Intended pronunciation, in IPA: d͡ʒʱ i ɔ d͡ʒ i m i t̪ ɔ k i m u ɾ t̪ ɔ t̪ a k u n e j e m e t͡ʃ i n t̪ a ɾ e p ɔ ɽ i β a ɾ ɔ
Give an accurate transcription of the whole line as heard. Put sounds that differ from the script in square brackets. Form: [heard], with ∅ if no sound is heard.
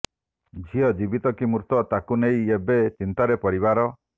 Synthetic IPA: d͡ʒʱ i ɔ d͡ʒ i [b] i t̪ ɔ k i m u ɾ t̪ ɔ t̪ a k u n e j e [b] e t͡ʃ i n t̪ a ɾ e p ɔ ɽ i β a ɾ ɔ